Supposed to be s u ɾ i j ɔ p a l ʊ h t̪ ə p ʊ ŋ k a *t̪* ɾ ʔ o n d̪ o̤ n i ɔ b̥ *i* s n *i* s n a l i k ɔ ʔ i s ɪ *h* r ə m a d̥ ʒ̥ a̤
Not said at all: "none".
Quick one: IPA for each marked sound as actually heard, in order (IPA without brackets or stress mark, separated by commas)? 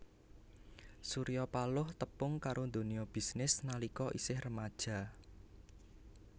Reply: none, i, ɪ, h